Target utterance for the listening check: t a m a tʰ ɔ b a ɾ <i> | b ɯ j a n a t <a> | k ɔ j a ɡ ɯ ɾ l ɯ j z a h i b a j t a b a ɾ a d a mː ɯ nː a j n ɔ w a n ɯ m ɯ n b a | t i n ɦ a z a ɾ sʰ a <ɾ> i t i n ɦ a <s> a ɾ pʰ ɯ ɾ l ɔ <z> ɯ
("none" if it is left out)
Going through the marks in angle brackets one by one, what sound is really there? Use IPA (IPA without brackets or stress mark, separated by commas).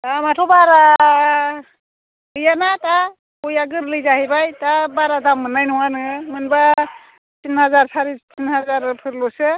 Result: a, a, ɾ, z, s